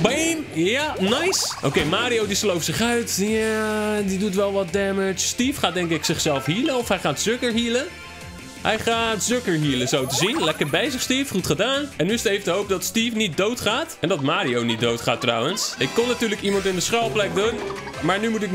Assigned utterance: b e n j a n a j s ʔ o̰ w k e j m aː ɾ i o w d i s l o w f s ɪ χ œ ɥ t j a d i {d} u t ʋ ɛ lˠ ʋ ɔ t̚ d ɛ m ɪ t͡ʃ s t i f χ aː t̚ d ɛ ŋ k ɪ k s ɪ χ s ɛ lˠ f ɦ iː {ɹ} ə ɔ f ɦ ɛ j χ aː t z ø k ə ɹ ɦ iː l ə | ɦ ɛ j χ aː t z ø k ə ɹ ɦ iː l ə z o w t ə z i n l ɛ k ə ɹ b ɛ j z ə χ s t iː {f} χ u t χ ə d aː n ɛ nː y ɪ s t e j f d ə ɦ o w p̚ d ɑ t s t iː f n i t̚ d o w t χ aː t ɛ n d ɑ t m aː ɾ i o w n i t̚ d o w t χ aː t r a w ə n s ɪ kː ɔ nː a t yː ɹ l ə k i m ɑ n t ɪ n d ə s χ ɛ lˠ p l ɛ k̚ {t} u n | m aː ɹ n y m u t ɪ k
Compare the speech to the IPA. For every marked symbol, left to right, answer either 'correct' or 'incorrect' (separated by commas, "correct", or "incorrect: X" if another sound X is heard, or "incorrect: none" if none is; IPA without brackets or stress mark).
correct, incorrect: l, correct, incorrect: d